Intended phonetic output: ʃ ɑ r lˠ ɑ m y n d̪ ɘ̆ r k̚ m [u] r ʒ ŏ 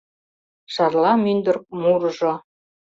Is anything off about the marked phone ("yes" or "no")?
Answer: no